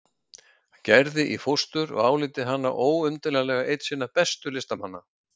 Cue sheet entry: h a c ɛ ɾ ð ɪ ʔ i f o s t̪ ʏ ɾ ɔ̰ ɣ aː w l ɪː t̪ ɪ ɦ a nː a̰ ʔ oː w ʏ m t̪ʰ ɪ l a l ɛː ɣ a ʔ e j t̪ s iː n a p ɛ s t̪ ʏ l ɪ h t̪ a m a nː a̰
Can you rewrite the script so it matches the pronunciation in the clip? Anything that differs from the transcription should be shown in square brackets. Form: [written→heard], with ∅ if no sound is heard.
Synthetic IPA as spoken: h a c ɛ ɾ ð ɪ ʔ i f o s t̪ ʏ ɾ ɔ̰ ɣ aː w l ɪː t̪ ɪ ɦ a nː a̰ ʔ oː w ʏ m [t̪ʰ→t̪] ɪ l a l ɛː ɣ a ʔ e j t̪ s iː n a p ɛ s t̪ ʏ l ɪ [h→s] t̪ a m a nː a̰